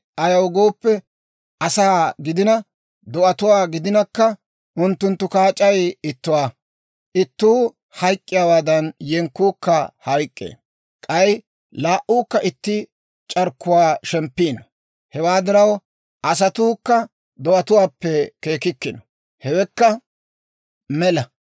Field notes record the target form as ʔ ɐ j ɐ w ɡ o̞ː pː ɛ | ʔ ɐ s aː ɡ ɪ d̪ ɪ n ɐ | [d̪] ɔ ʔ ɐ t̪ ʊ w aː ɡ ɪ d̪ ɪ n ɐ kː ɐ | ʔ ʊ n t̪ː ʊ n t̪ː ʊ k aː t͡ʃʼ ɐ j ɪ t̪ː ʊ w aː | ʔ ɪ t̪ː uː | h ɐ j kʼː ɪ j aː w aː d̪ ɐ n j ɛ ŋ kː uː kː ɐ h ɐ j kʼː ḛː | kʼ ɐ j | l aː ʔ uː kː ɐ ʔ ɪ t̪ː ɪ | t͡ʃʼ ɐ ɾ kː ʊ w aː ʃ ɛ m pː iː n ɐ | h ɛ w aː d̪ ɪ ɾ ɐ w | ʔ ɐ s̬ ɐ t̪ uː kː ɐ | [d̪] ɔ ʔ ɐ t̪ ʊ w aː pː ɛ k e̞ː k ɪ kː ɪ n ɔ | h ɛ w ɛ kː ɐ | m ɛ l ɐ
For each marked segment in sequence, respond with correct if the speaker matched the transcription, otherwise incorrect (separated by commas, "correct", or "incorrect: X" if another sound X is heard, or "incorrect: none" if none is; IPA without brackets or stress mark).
correct, correct